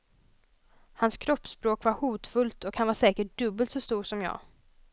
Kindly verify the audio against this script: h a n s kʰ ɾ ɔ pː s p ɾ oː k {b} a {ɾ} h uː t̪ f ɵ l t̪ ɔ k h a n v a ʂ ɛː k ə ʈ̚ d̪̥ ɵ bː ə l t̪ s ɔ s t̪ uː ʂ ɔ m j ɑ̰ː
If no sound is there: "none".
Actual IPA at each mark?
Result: v, ɾ

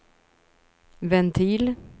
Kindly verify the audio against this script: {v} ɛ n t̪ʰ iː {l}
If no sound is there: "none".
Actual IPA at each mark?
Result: v, l

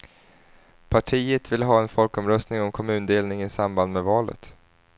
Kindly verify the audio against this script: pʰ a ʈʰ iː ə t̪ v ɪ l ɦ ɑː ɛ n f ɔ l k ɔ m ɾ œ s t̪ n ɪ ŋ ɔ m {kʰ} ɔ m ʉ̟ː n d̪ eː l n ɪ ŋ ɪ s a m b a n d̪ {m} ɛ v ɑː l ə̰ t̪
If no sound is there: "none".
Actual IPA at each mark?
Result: kʰ, m

